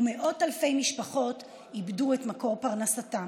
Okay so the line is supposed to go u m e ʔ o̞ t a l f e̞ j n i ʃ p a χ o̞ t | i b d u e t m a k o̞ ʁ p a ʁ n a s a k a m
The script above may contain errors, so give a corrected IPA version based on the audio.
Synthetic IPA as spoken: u m e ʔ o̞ t a l f e̞ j m i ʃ p a χ o̞ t | i b d u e t m a k o̞ ʁ p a ʁ n a s a t a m